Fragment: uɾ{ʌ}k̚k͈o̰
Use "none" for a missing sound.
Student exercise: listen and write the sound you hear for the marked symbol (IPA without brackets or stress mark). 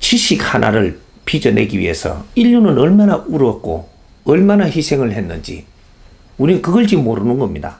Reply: ʌ